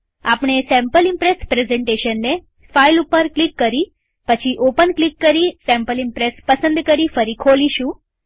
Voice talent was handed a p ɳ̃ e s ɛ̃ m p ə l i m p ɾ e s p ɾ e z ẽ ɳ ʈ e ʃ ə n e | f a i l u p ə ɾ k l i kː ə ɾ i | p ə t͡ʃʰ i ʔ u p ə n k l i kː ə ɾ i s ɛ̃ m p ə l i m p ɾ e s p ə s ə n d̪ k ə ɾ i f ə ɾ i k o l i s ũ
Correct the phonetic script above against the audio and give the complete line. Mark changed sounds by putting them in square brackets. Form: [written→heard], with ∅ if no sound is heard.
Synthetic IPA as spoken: a p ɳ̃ e s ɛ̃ m p ə l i m p ɾ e s p ɾ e z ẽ ɳ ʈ e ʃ ə [n→nː] e | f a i l u p ə ɾ k l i kː ə ɾ i | p ə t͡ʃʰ i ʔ [u→o] p ə n k l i kː ə ɾ i s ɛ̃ m p ə l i m p ɾ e s p ə s ə n d̪ k ə ɾ i f ə ɾ i [k→kʰ] o l i [s→ʃ] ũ